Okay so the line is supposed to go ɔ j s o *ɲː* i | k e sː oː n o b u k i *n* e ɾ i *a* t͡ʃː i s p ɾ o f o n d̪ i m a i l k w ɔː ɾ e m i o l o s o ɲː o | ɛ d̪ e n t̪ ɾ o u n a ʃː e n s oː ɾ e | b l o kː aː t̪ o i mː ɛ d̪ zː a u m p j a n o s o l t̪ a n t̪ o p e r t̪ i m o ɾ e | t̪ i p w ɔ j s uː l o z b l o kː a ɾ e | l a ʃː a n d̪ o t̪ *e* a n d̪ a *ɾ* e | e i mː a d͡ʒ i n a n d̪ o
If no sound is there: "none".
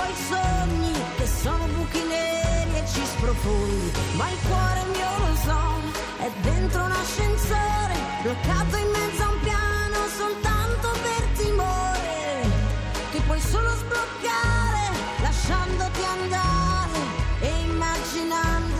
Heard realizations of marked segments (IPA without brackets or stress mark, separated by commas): ɲː, n, e, i, ɾ